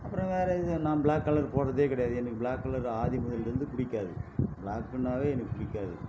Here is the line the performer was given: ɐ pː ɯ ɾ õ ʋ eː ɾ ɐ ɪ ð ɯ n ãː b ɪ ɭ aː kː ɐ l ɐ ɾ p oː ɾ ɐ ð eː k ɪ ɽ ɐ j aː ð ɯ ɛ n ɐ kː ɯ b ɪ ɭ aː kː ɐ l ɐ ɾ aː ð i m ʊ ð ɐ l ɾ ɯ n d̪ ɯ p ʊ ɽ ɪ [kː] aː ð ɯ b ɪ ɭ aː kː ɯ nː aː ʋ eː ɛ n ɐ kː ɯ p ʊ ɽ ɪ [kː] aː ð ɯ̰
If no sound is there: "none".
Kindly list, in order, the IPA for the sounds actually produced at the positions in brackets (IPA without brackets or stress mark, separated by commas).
kː, kː